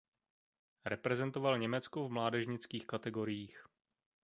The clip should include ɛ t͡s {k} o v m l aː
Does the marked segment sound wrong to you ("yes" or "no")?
no